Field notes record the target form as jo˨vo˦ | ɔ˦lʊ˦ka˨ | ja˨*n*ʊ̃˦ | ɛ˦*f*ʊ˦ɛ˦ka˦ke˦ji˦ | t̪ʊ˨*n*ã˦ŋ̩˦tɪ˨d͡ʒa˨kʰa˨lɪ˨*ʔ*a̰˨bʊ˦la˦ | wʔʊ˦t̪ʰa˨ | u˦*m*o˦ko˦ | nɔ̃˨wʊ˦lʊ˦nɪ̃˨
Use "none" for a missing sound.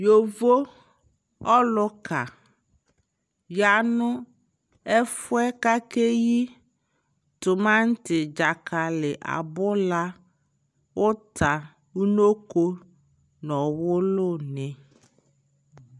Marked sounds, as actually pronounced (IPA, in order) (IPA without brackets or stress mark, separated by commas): n, f, m, ʔ, n